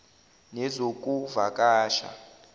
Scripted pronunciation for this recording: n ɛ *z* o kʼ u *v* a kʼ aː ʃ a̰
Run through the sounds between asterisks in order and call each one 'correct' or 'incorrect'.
correct, correct

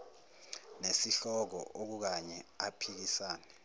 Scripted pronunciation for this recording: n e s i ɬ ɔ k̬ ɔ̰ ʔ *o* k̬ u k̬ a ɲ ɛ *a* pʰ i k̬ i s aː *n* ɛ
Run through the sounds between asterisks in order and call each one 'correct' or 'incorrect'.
correct, correct, correct

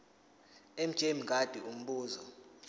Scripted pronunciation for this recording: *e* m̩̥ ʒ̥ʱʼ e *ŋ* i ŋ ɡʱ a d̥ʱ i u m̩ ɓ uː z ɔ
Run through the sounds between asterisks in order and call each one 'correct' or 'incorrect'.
correct, incorrect: m

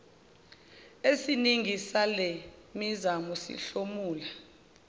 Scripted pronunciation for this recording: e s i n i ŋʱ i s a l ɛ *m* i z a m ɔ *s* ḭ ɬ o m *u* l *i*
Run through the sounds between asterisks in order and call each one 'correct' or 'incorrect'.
correct, correct, incorrect: uː, incorrect: a

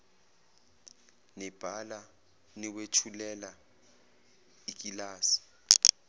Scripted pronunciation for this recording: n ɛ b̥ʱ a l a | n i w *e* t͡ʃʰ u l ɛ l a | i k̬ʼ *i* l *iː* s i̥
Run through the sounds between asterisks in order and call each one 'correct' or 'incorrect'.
correct, correct, incorrect: aː

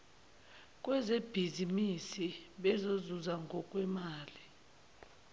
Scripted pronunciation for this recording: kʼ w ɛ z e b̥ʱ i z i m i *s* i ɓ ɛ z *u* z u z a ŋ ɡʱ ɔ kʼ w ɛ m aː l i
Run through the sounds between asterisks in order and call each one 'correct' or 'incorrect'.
correct, incorrect: o

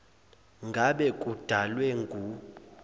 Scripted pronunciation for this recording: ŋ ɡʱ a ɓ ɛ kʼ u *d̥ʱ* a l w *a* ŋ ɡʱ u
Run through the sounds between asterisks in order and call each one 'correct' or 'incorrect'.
correct, incorrect: ɛ

